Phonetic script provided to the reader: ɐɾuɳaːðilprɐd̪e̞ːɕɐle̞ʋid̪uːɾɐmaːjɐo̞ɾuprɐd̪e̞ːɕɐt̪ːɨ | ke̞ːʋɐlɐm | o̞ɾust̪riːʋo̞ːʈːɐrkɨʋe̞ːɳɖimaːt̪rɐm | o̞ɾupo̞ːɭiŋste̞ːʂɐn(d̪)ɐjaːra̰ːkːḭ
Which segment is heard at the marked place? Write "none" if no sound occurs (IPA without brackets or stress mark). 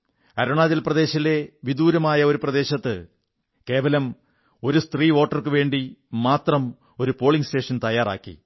t̪